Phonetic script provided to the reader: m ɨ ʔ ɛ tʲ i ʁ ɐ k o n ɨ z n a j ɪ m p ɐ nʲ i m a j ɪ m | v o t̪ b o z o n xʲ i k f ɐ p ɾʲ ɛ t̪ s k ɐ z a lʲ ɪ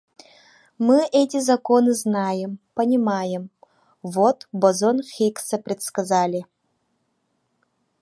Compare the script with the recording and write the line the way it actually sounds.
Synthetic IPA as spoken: m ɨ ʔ ɛ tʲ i z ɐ k o n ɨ z n a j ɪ m p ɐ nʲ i m a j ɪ m | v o t̪ b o z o n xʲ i k s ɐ p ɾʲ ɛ t̪ s k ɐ z a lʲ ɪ